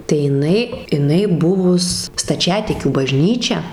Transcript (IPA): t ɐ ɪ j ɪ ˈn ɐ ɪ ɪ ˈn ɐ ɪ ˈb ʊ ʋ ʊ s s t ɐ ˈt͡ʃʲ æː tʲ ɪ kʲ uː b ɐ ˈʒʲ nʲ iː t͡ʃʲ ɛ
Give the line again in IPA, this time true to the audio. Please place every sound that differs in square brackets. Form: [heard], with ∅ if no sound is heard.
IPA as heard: t ɐ ɪ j ɪ ˈn ɐ ɪ ɪ ˈn ɐ ɪ ˈb ʊ ʋ ʊ s s t ɐ ˈt͡ʃʲ æː tʲ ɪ kʲ uː b ɐ ˈʒʲ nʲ iː t͡ʃʲ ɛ